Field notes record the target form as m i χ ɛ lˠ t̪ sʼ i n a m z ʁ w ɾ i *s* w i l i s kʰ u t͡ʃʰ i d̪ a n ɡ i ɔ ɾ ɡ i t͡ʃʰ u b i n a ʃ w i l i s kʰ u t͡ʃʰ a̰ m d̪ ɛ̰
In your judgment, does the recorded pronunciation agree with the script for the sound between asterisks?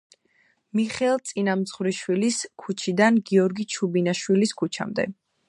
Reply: no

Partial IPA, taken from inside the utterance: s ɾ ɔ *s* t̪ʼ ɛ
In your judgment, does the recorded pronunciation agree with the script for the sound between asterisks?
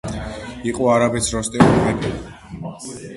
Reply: yes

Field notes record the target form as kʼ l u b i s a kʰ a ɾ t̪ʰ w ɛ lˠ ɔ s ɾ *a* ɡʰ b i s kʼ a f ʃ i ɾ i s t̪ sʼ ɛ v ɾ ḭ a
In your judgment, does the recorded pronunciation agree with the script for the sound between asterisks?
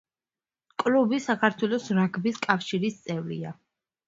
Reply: yes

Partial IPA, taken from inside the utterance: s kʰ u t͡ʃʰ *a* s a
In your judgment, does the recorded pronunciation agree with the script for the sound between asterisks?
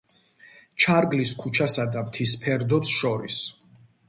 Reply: yes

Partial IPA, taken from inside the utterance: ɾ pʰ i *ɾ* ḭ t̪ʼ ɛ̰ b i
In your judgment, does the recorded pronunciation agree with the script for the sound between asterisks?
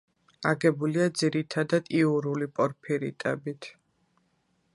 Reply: yes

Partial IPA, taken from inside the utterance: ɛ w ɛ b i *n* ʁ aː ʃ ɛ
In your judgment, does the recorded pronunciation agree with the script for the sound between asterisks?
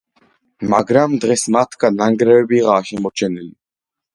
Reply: no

